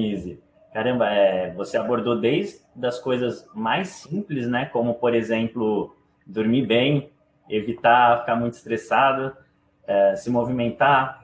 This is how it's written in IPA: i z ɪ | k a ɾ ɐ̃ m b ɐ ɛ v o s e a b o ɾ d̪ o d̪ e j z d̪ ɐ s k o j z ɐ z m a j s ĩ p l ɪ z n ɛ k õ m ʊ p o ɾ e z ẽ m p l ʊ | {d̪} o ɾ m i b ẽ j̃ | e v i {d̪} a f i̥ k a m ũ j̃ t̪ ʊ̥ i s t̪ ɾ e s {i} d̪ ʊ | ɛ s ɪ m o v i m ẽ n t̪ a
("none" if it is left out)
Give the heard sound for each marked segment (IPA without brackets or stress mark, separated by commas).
d̪, t̪, a